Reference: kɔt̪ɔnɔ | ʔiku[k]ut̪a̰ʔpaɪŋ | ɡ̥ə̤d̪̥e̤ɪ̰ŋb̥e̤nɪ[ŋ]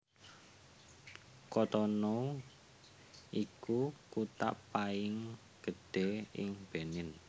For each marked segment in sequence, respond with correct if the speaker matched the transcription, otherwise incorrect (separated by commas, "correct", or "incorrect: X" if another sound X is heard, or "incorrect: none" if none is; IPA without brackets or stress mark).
correct, incorrect: n